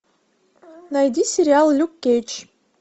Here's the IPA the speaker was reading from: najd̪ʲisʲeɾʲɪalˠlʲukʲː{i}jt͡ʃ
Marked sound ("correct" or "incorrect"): incorrect